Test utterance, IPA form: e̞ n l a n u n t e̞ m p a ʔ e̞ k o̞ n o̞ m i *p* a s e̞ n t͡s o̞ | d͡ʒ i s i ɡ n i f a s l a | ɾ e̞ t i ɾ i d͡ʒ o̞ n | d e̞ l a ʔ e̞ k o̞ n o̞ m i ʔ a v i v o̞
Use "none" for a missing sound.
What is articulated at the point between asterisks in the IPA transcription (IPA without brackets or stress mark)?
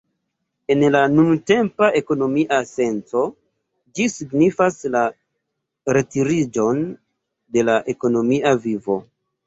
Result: ʔ